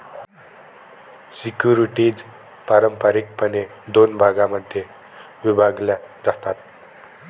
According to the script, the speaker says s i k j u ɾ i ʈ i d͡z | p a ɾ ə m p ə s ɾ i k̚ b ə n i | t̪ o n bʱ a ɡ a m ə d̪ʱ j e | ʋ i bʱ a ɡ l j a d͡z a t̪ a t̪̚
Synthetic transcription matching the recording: s i k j u ɾ i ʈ i d͡z | p a ɾ ə m p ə ɾ i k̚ p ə n e | d̪ o n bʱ a ɡ a m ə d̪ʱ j e | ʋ i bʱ a ɡ l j a d͡z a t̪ a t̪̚